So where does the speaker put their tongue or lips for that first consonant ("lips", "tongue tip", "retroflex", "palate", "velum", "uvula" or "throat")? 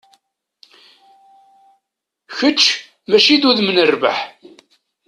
palate